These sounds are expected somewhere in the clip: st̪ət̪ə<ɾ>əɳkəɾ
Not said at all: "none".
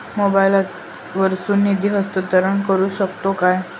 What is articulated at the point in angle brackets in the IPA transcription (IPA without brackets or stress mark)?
ɾ